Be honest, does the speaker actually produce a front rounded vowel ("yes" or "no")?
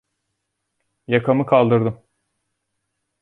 no